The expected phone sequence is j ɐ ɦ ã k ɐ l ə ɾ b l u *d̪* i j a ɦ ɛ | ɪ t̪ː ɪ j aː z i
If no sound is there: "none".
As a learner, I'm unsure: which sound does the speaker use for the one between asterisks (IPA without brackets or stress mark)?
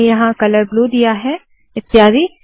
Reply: d̪